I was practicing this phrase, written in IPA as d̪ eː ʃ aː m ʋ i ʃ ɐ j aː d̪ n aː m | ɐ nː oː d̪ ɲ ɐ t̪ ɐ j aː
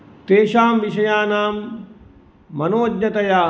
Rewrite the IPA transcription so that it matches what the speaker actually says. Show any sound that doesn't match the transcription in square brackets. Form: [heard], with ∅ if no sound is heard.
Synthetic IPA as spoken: [t̪] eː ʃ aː m ʋ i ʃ ɐ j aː [∅] n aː m | ɐ [n] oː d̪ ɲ ɐ t̪ ɐ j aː

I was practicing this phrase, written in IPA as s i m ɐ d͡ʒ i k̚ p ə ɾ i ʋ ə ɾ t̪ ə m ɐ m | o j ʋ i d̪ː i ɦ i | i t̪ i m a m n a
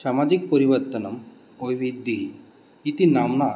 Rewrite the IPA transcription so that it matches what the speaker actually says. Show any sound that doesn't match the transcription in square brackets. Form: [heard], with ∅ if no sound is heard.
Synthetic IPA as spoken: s [a] m [a] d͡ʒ i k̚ p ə ɾ i ʋ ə ɾ t̪ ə [n] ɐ m | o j ʋ i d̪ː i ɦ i | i t̪ i [n] a m n a

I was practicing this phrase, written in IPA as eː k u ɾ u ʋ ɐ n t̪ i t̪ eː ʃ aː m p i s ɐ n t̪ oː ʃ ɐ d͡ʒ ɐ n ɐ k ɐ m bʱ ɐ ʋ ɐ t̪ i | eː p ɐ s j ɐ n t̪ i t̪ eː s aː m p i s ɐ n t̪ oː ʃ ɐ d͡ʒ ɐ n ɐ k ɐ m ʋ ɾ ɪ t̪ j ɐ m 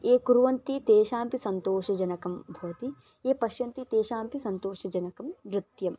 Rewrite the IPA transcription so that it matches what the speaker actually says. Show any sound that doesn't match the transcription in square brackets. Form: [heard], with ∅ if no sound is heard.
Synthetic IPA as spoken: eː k u ɾ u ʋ ɐ n t̪ i t̪ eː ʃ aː m p i s ɐ n t̪ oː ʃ ɐ d͡ʒ ɐ n ɐ k ɐ m bʱ ɐ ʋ ɐ t̪ i | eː p ɐ [ʃ] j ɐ n t̪ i t̪ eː [ʃ] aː m p i s ɐ n t̪ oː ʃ ɐ d͡ʒ ɐ n ɐ k ɐ m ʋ ɾ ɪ t̪ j ɐ m

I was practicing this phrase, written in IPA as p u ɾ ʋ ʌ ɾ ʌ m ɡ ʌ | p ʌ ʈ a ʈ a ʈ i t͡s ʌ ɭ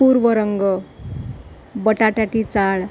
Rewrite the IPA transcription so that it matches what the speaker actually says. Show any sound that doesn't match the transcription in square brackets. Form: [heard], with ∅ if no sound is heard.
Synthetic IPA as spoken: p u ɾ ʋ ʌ ɾ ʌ [ŋ] ɡ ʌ | [b] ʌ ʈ a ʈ a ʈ i t͡s [a] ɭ

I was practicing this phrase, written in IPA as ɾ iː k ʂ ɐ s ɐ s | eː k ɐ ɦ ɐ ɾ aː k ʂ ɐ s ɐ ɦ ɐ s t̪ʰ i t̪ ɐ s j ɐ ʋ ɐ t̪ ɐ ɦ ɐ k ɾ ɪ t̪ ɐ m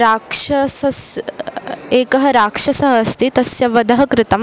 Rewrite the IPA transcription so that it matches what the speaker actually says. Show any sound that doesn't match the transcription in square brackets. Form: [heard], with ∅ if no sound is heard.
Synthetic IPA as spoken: ɾ [aː] k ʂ ɐ s ɐ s | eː k ɐ ɦ ɐ ɾ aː k ʂ ɐ s ɐ ɦ ɐ s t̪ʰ i t̪ ɐ s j ɐ ʋ ɐ [d̪] ɐ ɦ ɐ k ɾ ɪ t̪ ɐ m

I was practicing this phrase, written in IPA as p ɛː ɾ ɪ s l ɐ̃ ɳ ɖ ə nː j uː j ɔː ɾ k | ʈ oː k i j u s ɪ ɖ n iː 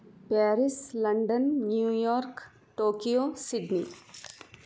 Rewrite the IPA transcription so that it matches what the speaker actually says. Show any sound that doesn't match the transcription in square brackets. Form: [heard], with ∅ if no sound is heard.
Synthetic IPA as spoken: p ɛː ɾ ɪ s l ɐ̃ ɳ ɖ ə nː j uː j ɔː ɾ k | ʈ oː k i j [o] s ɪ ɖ n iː

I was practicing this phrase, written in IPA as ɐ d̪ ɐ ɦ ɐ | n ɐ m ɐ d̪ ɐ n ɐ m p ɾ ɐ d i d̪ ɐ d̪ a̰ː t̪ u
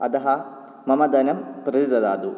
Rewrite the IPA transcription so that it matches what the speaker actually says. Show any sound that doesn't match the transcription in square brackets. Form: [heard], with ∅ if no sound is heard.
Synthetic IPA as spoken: ɐ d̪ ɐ ɦ ɐ | [m] ɐ m ɐ d̪ ɐ n ɐ m p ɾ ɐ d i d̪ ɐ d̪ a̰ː [d̪] u

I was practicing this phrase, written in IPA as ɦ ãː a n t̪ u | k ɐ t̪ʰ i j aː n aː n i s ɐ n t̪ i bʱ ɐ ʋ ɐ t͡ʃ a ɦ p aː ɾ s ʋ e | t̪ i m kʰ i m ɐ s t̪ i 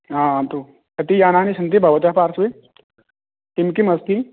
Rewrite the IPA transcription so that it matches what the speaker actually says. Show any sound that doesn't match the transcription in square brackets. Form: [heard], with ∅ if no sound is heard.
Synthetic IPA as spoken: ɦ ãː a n t̪ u | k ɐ [t̪] i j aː n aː n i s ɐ n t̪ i bʱ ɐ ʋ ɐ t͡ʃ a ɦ p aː ɾ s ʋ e | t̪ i m [k] i m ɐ s t̪ i

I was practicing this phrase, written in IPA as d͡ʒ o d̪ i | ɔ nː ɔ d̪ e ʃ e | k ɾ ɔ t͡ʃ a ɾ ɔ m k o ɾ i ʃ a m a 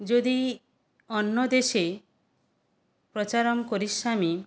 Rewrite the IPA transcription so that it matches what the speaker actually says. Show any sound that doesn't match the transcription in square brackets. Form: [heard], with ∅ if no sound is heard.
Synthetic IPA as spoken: d͡ʒ o d̪ i | ɔ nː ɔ d̪ e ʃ e | [p] ɾ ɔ t͡ʃ a ɾ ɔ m k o ɾ i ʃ a m [i]

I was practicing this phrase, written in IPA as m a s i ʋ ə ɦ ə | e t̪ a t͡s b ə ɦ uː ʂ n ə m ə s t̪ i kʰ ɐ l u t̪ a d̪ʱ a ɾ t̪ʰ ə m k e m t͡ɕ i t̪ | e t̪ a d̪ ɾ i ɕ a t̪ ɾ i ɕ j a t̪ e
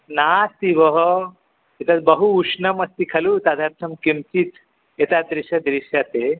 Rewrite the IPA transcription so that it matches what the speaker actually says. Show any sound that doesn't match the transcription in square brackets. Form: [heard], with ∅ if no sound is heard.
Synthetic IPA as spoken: [n] a s i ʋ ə ɦ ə | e t̪ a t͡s b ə ɦ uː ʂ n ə m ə s t̪ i kʰ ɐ l u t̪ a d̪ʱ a ɾ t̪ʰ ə m k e m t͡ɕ i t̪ | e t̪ a d̪ ɾ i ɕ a [d̪] ɾ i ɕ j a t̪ e

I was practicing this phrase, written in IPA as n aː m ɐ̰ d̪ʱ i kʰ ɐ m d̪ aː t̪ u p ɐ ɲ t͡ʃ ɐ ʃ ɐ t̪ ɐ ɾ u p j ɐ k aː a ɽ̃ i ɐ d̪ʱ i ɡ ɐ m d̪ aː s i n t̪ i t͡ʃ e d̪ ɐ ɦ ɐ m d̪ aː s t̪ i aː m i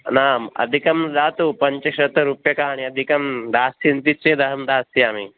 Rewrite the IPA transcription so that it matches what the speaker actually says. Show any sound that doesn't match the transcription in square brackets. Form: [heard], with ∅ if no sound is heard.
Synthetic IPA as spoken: n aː m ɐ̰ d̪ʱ i [k] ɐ m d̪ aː t̪ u p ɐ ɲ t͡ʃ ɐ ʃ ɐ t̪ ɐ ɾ u p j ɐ k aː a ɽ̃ i ɐ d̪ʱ i [k] ɐ m d̪ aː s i n t̪ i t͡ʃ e d̪ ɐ ɦ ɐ m d̪ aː s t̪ i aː m i

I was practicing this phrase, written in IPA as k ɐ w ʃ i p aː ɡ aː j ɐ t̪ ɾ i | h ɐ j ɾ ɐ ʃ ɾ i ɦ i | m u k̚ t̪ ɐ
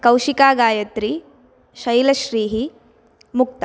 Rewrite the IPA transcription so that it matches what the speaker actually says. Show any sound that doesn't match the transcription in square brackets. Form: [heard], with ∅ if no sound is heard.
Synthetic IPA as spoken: k ɐ w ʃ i [k] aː ɡ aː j ɐ t̪ ɾ i | [ʃ] ɐ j [l] ɐ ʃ ɾ [iː] ɦ i | m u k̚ t̪ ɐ

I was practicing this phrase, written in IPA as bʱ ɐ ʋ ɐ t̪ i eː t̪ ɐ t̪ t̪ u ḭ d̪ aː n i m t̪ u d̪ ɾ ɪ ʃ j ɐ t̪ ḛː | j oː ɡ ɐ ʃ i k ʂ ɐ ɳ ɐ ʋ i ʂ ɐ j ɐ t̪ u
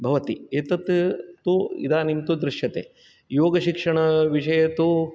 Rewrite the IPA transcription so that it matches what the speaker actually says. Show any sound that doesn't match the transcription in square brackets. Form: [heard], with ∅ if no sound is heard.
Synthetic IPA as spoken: bʱ ɐ ʋ ɐ t̪ i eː t̪ ɐ t̪ t̪ u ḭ d̪ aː n i m t̪ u d̪ ɾ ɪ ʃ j ɐ t̪ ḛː | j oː ɡ ɐ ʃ i k ʂ ɐ ɳ ɐ ʋ i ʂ ɐ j ɐ t̪ u

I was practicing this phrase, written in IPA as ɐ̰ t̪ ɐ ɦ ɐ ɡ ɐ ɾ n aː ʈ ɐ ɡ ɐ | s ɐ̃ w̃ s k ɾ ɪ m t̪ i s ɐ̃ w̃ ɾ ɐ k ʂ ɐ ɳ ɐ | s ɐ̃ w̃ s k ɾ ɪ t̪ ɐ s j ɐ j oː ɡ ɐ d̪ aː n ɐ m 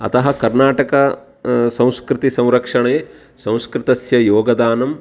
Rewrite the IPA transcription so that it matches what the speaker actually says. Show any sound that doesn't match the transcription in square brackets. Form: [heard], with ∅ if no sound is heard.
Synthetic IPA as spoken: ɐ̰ t̪ ɐ ɦ ɐ [k] ɐ ɾ n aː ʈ ɐ [k] ɐ | s ɐ̃ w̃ s k ɾ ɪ [∅] t̪ i s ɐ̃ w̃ ɾ ɐ k ʂ ɐ ɳ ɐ | s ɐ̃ w̃ s k ɾ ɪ t̪ ɐ s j ɐ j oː ɡ ɐ d̪ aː n ɐ m

